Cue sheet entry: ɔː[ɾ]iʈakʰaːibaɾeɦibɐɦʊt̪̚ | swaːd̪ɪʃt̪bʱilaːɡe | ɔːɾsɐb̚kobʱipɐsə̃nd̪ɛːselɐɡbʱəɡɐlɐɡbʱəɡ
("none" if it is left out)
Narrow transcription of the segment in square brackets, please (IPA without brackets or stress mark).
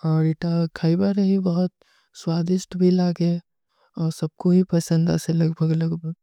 ɾ